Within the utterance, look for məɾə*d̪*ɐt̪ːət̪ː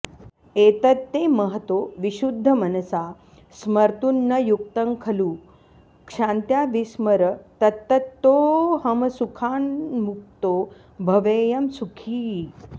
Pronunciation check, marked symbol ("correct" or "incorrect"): incorrect